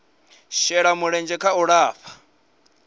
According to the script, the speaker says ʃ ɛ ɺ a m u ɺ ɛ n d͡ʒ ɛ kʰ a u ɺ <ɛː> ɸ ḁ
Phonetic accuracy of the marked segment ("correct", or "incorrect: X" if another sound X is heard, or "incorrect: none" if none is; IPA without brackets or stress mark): incorrect: aː